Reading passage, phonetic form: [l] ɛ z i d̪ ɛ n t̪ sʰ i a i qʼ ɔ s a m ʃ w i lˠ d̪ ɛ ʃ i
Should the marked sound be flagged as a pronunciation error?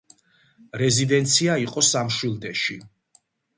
yes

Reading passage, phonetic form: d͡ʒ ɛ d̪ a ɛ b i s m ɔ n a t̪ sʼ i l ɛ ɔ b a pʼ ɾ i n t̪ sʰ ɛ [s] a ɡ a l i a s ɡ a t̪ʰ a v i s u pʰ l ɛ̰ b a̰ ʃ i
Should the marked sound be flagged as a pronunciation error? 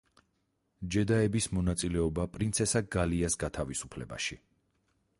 no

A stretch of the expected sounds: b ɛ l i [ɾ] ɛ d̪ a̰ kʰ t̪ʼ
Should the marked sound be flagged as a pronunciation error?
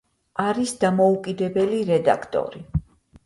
no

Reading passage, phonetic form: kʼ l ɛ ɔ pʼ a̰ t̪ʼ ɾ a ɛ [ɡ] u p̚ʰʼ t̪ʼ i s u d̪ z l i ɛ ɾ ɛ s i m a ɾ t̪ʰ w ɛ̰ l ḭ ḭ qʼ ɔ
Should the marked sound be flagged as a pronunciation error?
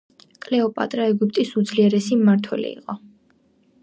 no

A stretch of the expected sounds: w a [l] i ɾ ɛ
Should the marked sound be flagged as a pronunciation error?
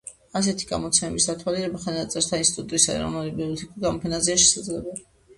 no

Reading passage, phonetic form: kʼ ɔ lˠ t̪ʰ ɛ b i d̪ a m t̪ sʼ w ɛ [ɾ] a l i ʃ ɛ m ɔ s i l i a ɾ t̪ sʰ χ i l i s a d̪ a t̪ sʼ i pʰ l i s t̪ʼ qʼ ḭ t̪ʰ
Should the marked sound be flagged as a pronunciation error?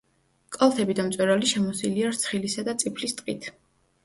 no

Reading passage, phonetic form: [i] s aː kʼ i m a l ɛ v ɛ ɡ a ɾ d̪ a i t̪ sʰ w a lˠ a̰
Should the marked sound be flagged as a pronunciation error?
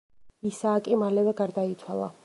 no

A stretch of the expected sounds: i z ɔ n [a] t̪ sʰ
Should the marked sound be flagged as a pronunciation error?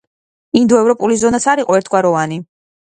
no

